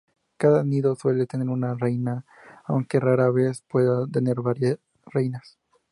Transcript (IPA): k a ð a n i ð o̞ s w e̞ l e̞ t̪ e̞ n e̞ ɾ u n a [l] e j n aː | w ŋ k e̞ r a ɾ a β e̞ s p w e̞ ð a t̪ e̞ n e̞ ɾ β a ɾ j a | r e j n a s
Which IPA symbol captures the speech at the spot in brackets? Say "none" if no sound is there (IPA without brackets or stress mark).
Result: r